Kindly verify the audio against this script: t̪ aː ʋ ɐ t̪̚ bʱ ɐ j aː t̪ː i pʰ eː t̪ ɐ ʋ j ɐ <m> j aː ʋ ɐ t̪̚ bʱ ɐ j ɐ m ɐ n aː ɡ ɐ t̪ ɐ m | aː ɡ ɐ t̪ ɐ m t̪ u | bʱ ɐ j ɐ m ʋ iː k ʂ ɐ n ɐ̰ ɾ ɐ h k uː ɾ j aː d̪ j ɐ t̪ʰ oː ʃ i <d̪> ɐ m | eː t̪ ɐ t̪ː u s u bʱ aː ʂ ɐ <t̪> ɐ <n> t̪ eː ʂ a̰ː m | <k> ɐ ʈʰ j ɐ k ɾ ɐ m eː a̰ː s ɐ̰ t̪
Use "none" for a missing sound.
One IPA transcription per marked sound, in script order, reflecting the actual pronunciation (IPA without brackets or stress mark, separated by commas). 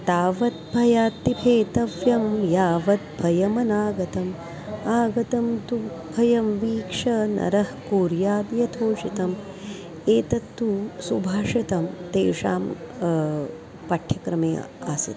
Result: m, t̪, t̪, m, p